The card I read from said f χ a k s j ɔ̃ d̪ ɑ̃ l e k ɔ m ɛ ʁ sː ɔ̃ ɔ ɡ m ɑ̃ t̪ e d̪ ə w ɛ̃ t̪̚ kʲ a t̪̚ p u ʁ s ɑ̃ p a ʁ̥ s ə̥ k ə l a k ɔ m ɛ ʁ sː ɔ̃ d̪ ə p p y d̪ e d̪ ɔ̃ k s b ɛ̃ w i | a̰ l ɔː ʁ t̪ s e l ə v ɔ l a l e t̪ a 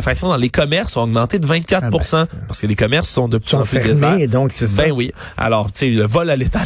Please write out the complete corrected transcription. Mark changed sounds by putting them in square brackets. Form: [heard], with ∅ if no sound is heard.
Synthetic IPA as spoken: f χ a k s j ɔ̃ d̪ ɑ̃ l e k ɔ m ɛ ʁ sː ɔ̃ ɔ ɡ m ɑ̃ t̪ e d̪ ə [v] ɛ̃ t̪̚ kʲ a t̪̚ p u ʁ s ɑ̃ p a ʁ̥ s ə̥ k ə l [e] k ɔ m ɛ ʁ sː ɔ̃ d̪ ə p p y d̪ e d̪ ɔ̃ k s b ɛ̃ w i | a̰ l ɔː ʁ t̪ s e l ə v ɔ l a l e t̪ a